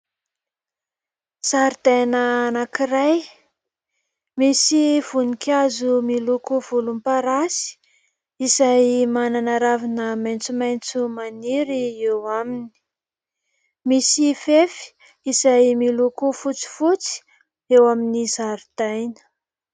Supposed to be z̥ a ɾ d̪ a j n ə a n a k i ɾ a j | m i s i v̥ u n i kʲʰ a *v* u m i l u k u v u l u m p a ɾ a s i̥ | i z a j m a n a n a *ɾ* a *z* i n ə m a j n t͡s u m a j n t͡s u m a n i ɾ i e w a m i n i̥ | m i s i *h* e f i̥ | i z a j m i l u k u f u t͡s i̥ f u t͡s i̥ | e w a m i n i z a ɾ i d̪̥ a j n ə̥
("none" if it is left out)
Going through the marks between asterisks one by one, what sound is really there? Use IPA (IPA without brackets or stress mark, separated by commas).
z, ɾ, v, f